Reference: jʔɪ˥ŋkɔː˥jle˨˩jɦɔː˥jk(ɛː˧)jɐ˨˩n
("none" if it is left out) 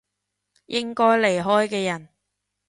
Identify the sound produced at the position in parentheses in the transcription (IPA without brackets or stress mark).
ɛː˧